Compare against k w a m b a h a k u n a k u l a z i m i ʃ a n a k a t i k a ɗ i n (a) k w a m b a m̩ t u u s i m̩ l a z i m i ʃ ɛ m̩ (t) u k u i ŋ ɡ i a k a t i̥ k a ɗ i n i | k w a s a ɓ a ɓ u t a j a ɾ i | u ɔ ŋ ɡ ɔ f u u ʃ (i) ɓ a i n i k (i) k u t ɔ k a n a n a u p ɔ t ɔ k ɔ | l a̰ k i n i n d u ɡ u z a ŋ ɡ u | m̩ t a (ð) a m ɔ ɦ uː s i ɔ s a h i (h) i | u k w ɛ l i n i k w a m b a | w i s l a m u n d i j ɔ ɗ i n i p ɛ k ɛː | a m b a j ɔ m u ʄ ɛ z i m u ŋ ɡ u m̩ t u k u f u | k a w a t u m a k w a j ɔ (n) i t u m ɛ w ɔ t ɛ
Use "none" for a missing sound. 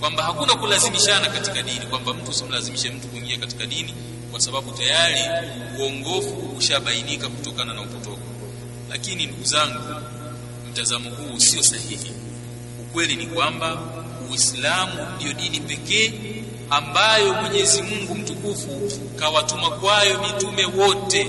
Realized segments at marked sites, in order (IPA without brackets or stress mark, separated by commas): i, t, a, a, z, h, m